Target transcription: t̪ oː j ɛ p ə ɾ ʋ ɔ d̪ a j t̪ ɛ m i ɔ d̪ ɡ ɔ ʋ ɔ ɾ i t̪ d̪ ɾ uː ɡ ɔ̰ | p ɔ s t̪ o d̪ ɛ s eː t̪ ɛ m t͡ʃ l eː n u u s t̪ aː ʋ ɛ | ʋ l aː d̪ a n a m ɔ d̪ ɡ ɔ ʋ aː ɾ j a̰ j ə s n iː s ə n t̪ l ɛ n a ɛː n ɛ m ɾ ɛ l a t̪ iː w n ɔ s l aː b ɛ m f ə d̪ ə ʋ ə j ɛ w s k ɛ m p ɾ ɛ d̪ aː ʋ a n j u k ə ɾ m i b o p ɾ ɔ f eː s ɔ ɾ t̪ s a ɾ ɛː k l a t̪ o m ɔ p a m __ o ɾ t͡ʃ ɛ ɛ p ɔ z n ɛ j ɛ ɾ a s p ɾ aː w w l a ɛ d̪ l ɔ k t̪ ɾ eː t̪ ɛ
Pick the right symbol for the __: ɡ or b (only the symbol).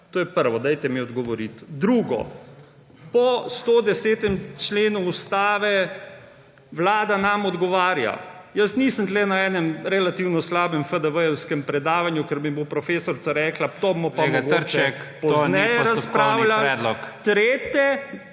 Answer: ɡ